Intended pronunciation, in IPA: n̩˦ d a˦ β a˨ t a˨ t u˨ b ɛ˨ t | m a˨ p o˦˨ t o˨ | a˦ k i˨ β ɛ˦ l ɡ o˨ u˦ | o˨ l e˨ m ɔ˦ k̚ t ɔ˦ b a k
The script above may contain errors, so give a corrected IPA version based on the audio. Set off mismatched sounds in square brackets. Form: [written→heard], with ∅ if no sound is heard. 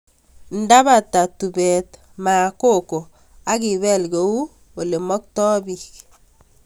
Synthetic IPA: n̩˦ d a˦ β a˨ t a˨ t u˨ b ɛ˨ t | m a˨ [p→k] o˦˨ [t→k] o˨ | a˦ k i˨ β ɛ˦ l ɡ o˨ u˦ | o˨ l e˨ m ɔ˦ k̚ t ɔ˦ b [a→i] k